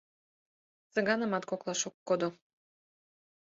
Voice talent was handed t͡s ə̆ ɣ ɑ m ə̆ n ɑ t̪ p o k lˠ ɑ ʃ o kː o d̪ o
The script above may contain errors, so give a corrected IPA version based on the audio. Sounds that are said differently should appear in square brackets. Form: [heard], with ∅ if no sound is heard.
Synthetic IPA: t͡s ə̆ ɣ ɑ [n] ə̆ [m] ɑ t̪ [k] o k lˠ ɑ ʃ o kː o d̪ o